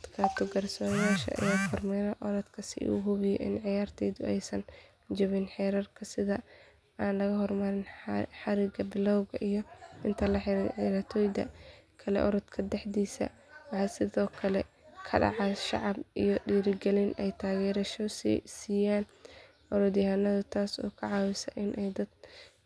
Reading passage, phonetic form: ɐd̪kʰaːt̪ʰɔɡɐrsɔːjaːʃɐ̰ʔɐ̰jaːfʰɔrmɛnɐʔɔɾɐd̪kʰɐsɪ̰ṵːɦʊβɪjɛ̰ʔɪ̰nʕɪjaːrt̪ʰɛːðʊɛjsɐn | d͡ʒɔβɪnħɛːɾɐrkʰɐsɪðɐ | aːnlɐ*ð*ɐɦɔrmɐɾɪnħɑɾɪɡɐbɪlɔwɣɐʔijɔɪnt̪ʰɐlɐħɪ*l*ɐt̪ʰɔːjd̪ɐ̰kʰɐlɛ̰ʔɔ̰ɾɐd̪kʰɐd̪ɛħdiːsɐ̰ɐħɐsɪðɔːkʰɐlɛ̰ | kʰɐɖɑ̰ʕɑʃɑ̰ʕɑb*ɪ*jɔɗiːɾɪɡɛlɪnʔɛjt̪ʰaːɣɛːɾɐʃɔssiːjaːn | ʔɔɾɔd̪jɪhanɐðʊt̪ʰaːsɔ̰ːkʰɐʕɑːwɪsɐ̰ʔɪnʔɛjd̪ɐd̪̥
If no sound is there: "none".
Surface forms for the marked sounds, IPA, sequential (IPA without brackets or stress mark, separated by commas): ɣ, ɾ, i